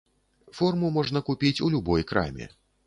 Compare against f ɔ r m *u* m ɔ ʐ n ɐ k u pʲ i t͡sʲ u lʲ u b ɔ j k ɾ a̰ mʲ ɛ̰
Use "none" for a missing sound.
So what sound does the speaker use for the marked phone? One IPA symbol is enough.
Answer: u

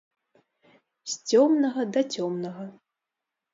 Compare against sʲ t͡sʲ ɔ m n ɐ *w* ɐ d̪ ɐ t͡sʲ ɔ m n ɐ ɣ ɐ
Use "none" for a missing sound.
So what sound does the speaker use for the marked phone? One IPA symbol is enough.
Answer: ɣ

